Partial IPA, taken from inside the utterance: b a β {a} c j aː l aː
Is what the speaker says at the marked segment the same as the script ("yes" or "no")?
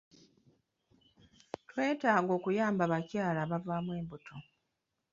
yes